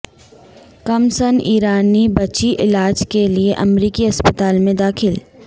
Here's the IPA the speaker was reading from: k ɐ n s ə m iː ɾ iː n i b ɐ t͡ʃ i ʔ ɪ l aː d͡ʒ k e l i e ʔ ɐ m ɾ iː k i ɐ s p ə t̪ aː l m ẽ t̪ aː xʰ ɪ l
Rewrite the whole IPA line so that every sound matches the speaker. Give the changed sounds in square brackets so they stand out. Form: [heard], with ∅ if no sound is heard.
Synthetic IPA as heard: k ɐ [m] s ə [n] iː ɾ [aː] n i b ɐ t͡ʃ i ʔ ɪ l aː d͡ʒ k e l i e ʔ ɐ m ɾ iː k i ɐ s p ə t̪ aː l m ẽ [d̪] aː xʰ ɪ l

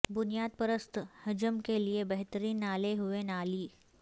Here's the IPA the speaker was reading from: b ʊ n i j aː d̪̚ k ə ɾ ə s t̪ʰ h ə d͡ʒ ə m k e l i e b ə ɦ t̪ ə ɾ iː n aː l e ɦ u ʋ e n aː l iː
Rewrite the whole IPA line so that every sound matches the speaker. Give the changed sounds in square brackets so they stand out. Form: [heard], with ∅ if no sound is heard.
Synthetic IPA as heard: b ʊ n i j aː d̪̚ [p] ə ɾ ə s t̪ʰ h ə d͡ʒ ə m k e l i e b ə ɦ t̪ ə ɾ iː n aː l e ɦ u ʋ e n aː l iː

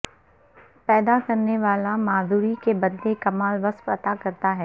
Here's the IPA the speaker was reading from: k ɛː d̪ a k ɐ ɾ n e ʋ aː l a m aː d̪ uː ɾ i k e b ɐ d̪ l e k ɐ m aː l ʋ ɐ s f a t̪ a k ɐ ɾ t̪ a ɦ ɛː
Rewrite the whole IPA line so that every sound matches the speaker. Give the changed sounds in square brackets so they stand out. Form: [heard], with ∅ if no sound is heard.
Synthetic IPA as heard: [p] ɛː d̪ a k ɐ ɾ n e ʋ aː l a m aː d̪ uː ɾ i k e b ɐ d̪ l e k ɐ m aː l ʋ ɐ s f [ɐ] t̪ a k ɐ ɾ t̪ a ɦ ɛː

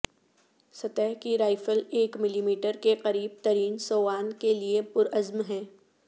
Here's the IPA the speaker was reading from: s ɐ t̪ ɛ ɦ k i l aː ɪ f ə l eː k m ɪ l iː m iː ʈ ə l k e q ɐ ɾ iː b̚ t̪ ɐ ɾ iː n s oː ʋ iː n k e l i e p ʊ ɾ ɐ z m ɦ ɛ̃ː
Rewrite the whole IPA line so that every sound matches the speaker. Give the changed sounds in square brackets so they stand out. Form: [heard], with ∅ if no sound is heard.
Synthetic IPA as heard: s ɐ t̪ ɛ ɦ k i [ɾ] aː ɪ f ə l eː k m ɪ l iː m iː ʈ ə [ɾ] k e q ɐ ɾ iː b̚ t̪ ɐ ɾ iː n s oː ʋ [aː] n k e l i e p ʊ ɾ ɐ z m ɦ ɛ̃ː

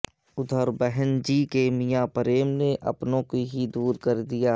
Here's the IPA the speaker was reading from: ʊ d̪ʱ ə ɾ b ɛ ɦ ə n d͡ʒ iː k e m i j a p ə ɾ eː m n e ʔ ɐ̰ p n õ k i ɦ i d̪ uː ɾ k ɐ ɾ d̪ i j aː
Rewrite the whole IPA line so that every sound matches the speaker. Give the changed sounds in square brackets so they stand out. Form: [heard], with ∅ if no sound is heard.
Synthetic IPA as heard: ʊ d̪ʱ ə ɾ b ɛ ɦ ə n d͡ʒ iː k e m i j a p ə ɾ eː m n e ʔ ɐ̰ p n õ k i ɦ i d̪ uː ɾ k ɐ ɾ d̪ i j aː

